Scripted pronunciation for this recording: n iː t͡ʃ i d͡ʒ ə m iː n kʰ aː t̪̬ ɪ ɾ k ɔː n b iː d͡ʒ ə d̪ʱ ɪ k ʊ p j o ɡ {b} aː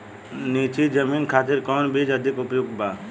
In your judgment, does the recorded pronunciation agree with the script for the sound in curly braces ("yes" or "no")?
yes